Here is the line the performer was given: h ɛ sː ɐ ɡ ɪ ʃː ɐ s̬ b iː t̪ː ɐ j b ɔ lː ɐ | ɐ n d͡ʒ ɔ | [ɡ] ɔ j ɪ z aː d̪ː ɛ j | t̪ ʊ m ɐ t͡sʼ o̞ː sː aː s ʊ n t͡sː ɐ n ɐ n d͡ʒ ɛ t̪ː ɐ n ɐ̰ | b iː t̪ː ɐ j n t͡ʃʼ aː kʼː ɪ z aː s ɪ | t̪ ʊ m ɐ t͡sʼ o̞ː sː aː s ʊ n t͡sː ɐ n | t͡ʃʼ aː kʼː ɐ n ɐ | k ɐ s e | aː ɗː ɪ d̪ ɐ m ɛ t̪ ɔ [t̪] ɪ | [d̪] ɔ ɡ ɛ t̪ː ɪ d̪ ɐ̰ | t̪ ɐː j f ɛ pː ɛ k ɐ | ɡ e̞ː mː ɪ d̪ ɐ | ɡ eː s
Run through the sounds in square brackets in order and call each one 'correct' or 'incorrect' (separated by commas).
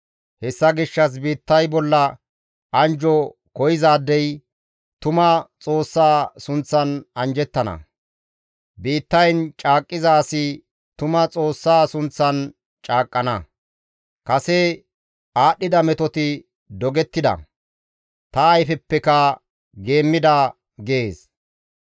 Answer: incorrect, correct, correct